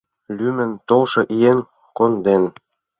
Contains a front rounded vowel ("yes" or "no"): yes